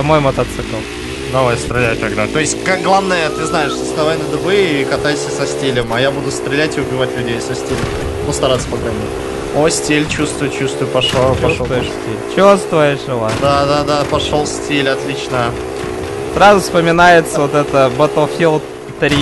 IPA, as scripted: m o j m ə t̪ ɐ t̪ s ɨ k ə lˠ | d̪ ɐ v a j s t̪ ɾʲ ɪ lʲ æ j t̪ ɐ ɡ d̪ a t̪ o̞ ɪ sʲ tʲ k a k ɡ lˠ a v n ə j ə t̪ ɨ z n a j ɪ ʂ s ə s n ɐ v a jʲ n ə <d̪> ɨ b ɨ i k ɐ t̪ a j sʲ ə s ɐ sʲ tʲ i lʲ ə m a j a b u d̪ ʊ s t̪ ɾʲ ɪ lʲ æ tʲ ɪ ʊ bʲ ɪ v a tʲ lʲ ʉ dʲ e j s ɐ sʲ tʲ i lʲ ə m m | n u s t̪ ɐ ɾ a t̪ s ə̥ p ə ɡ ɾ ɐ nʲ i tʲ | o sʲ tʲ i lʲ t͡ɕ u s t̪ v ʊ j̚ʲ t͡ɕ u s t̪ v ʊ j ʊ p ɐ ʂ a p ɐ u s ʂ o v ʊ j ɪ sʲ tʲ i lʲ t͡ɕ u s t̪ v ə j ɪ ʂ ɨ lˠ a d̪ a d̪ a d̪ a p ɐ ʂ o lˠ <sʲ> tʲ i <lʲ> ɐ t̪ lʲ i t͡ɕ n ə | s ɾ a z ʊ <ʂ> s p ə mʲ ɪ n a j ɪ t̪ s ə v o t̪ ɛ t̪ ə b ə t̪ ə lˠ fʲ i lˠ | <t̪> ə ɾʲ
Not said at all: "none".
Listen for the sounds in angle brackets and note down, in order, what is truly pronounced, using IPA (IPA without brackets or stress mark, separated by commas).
d̪, sʲ, lʲ, f, t̪